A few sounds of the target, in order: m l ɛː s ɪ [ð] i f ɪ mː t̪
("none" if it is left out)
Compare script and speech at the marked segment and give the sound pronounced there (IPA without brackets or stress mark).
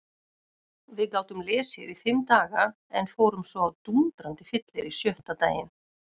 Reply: ð